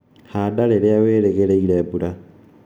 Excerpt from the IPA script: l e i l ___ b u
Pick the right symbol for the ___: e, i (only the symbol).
e